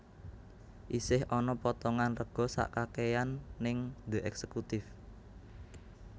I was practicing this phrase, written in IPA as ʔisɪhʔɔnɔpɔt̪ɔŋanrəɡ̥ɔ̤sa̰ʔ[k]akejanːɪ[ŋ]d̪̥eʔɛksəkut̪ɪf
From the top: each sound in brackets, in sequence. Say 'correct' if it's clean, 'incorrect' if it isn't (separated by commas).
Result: correct, correct